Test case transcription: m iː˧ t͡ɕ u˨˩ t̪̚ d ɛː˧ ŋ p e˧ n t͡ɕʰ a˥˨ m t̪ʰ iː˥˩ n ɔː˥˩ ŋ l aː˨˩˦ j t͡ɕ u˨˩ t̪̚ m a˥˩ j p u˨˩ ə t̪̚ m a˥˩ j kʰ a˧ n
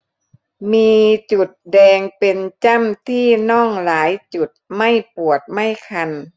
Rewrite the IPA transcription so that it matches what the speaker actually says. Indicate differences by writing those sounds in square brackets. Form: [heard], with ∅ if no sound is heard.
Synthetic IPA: m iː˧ t͡ɕ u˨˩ t̪̚ d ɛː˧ ŋ p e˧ n [t͡ɕ] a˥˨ m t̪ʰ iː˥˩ n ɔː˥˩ ŋ l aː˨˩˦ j t͡ɕ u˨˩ t̪̚ m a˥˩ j p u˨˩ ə t̪̚ m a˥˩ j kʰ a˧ n